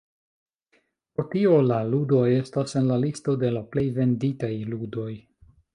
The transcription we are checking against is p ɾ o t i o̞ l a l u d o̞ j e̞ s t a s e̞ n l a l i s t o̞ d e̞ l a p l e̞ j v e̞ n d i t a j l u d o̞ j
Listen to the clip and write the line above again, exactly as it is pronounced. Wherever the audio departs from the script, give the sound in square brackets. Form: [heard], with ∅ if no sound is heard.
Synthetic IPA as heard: p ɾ o t i o̞ l a l u d o̞ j e̞ s t a s e̞ n l a l i s t o̞ d e̞ l a p l e̞ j v e̞ n d i t a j l u d o̞ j